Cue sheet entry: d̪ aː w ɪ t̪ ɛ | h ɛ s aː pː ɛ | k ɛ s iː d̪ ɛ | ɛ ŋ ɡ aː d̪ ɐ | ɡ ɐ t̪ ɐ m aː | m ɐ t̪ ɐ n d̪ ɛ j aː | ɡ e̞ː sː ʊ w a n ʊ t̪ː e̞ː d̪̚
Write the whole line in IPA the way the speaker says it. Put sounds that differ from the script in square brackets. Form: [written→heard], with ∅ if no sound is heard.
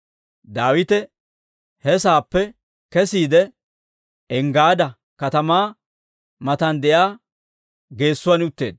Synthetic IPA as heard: d̪ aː w ɪ t̪ ɛ | h ɛ s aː pː ɛ | k ɛ s iː d̪ ɛ | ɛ ŋ ɡ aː d̪ ɐ | [ɡ→k] ɐ t̪ ɐ m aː | m ɐ t̪ ɐ n d̪ ɛ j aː | ɡ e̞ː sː ʊ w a n ʊ t̪ː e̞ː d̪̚